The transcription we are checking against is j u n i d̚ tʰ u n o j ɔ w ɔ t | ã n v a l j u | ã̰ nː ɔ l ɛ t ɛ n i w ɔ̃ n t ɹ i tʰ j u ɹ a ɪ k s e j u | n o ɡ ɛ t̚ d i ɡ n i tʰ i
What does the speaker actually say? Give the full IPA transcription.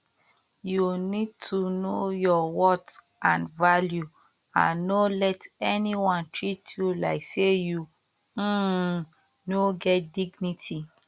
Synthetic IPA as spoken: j u n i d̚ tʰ u n o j ɔ w ɔ t | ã n v a l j u | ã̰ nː o l ɛ t ɛ n i w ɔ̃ n t ɹ i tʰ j u l a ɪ k s e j u | n o ɡ ɛ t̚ d i ɡ n i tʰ i

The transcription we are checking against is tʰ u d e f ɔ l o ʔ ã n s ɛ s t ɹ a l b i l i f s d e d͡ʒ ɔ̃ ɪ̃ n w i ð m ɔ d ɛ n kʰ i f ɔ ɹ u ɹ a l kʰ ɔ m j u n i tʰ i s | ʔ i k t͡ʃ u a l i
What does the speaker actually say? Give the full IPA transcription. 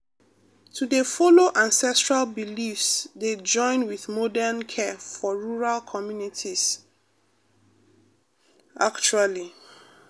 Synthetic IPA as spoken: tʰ u d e f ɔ l o ʔ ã n s ɛ s t ɹ a l b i l i f s d e d͡ʒ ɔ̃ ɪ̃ n w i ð m ɔ d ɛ n kʰ ɛ f ɔ ɹ u ɹ a l kʰ ɔ m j u n i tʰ i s | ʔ a k t͡ʃ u a l i

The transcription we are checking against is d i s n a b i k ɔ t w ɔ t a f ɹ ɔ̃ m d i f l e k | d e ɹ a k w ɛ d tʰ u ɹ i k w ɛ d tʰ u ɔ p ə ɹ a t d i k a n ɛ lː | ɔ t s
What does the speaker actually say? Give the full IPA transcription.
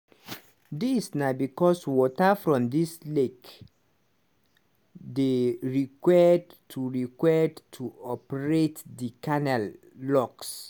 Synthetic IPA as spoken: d i s n a b i k ɔ s w ɔ t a f ɹ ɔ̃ m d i s l e k | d e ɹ i k w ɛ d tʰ u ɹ i k w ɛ d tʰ u ɔ p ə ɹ e t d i k a n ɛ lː | ɔ k s

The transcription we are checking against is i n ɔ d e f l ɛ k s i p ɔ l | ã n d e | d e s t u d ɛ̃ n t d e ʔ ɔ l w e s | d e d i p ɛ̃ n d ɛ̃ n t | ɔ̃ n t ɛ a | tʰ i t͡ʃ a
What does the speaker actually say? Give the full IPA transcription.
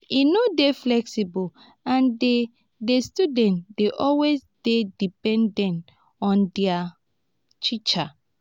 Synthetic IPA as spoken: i n o d e f l ɛ k s i b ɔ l | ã n d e | d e s t u d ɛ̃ n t d e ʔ ɔ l w e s | d e d i p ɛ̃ n d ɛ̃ n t | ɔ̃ n d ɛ a | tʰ i t͡ʃ a

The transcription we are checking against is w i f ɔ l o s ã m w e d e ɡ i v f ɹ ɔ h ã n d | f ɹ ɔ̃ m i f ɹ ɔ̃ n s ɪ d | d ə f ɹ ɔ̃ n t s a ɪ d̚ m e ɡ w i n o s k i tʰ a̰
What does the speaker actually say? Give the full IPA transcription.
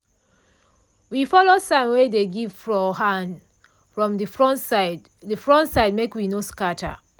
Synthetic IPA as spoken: w i f ɔ l o s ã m w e d e ɡ i v f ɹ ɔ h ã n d | f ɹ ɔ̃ m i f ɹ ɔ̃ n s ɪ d | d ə f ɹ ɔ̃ n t s a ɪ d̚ m e k w i n o s k a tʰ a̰

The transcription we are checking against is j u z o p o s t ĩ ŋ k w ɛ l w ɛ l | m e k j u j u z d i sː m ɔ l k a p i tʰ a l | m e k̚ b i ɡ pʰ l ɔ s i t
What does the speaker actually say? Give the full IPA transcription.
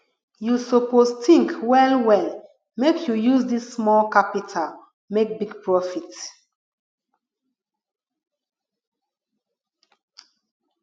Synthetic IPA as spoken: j u s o p o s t ĩ ŋ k w ɛ l w ɛ l | m e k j u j u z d i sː m ɔ l k a p i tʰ a l | m e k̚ b i ɡ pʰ ɹ ɔ f i t

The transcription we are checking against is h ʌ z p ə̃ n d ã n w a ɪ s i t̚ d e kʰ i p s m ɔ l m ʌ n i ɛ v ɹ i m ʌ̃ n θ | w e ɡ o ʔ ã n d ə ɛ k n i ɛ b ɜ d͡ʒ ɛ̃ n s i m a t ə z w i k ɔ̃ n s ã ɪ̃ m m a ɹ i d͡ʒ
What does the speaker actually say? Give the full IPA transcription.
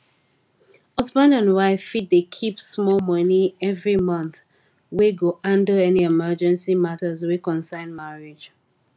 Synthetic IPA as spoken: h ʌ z b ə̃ n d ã n w a ɪ f i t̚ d e kʰ i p s m ɔ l m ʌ n i ɛ v ɹ i m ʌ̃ n θ | w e ɡ o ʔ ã n d ə ɛ n i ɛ m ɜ d͡ʒ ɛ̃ n s i m a t ə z w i k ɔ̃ n s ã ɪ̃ n m a ɹ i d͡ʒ

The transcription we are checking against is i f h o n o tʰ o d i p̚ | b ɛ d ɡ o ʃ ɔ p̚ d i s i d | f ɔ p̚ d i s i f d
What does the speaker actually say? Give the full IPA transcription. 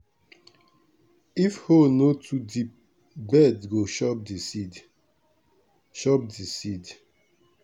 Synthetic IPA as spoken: i f h o n o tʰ u d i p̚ | b ɛ d ɡ o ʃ ɔ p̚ d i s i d | ʃ ɔ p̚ d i s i d

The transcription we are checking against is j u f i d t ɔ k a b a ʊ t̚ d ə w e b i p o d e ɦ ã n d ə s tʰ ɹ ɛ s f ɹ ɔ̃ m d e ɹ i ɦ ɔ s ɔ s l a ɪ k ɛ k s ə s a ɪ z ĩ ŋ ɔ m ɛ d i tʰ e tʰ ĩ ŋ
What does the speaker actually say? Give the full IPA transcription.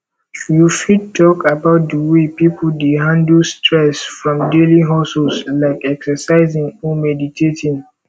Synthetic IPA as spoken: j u f i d t ɔ k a b a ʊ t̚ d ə w e p i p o d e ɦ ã n d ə s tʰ ɹ ɛ s f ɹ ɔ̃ m d e l i ɦ ɔ s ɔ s l a ɪ k ɛ k s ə s a ɪ z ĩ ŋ ɔ m ɛ d i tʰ e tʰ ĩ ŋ

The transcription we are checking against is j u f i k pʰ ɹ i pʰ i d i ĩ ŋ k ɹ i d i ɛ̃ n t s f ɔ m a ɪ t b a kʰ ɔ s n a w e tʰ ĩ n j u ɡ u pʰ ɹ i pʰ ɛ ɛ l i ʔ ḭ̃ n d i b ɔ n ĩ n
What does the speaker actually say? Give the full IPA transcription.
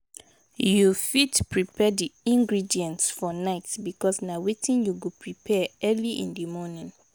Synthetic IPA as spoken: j u f i t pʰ ɹ i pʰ ɛ d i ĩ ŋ ɡ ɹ i d i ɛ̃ n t s f ɔ n a ɪ t b i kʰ ɔ s n a w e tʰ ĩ n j u ɡ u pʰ ɹ i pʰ ɛ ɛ l i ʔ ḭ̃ n d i m ɔ n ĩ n

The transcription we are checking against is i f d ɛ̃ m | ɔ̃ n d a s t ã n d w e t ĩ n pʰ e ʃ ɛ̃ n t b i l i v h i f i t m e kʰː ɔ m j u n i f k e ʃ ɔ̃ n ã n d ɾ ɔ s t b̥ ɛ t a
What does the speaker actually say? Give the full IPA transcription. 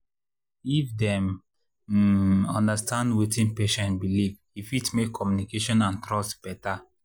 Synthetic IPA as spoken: i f d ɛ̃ m | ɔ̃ n d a s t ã n d w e t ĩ n p e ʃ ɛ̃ n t b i l i v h i f i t m e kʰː ɔ m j u n i k e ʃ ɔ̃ n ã n t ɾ ɔ s t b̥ ɛ t a

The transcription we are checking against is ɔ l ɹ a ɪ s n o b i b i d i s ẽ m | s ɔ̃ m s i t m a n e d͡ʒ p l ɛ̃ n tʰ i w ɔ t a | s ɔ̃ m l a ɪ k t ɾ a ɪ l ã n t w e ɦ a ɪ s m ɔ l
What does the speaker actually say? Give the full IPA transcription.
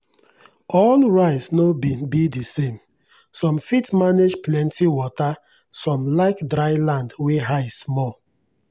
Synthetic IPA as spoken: ɔ l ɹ a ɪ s n o b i b i d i s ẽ m | s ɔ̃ m f i t m a n e d͡ʒ p l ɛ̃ n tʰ i w ɔ t a | s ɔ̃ m l a ɪ k d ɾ a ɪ l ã n d w e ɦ a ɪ s m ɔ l

